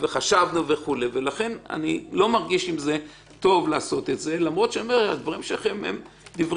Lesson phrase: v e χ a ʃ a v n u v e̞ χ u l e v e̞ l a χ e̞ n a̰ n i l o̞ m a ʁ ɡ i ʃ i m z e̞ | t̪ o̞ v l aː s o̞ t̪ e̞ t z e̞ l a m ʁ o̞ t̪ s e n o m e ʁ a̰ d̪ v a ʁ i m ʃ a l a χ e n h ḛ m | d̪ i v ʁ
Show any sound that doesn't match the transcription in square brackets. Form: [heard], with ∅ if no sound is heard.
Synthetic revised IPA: v e χ a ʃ a v n u v e̞ χ u l e v e̞ l a χ e̞ n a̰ n i l o̞ m a ʁ ɡ i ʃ i m z e̞ | t̪ o̞ v l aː s o̞ t̪ e̞ t z e̞ l a m ʁ o̞ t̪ [ʃ] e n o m e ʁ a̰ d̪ v a ʁ i m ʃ [e] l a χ e [m] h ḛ m | d̪ i v ʁ